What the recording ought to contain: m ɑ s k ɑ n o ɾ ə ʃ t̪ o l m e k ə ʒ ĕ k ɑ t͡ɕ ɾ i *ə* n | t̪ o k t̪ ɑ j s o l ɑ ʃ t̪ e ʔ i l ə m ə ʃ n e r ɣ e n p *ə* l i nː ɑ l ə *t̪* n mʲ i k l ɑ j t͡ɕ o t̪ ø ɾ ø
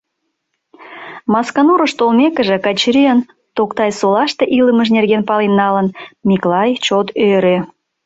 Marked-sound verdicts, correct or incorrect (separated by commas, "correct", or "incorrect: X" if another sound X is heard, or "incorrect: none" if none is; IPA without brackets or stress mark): correct, incorrect: ɑ, incorrect: none